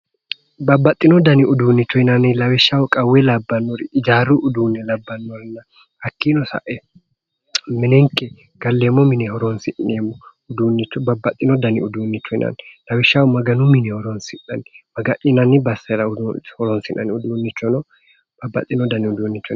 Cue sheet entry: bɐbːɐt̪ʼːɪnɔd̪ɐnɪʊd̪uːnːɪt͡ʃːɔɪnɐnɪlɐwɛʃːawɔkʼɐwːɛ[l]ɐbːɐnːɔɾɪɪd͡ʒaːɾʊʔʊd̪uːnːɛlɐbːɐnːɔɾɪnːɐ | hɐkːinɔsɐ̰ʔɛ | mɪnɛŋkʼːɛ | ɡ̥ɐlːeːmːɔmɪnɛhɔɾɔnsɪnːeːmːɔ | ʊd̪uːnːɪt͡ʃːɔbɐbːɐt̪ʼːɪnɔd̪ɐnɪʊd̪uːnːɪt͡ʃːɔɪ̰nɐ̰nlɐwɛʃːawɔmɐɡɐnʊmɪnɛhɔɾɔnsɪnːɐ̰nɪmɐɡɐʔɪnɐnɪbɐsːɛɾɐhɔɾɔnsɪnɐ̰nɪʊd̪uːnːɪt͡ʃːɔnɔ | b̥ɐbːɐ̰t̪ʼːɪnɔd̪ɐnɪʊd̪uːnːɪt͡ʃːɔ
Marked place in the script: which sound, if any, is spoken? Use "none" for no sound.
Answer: l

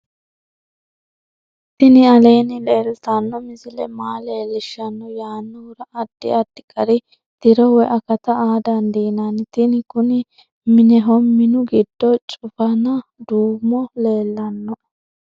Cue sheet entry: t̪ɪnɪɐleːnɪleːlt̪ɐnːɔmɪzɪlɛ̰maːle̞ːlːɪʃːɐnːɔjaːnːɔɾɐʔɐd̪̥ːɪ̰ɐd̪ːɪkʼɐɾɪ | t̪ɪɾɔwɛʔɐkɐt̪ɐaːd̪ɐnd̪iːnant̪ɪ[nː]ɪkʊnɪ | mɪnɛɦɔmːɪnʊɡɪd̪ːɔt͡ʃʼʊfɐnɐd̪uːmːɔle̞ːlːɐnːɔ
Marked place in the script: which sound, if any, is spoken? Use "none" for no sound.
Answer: n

